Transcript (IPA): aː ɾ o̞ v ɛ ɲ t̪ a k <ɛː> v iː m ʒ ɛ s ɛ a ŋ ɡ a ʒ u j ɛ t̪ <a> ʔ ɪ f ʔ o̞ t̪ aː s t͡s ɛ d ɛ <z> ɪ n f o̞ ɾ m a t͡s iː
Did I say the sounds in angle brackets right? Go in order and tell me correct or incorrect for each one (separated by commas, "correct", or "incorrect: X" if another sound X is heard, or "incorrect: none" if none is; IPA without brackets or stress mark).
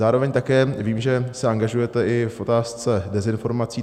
correct, incorrect: ɛ, correct